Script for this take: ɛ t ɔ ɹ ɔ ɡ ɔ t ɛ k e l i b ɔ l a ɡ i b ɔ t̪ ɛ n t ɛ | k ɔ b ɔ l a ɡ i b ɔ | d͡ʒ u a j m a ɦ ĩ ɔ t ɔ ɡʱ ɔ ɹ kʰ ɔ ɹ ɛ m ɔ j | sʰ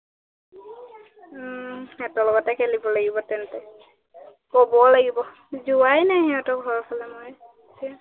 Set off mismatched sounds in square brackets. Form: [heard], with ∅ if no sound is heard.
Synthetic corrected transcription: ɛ t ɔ [l] ɔ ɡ ɔ t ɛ k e l i b ɔ l a ɡ i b ɔ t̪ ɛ n t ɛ | k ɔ b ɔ l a ɡ i b ɔ | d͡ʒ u a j [n] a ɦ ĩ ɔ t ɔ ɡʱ ɔ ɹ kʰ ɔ [l] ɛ m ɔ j | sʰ